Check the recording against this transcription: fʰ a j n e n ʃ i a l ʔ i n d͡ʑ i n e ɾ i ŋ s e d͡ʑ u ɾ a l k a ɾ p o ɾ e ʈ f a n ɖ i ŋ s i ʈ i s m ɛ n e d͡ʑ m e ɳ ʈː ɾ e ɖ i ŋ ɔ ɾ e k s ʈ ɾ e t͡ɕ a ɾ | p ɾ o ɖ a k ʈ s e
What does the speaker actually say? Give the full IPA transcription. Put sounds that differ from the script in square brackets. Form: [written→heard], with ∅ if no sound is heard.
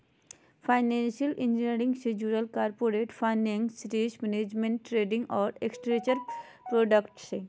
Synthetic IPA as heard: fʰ a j n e n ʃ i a l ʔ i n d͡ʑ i n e ɾ i ŋ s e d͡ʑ u ɾ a l k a ɾ p o ɾ e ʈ f a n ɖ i ŋ s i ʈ i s m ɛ n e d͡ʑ m e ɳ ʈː ɾ e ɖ i ŋ ɔ ɾ e k s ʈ ɾ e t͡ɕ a ɾ | p ɾ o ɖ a k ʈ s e